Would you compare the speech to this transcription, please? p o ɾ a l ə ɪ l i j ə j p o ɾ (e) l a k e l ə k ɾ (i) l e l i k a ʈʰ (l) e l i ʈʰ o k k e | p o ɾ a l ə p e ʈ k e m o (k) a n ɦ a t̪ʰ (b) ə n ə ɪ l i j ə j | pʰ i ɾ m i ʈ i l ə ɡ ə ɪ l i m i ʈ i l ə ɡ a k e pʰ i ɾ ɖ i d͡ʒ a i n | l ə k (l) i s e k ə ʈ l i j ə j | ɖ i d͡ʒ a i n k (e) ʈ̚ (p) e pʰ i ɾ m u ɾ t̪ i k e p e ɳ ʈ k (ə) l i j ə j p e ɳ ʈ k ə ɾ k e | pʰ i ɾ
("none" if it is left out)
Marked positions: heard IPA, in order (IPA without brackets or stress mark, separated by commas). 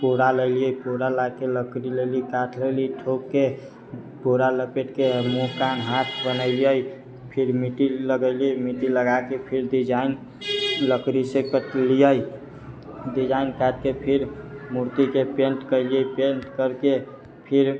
a, i, l, k, b, ɾ, a, k, ə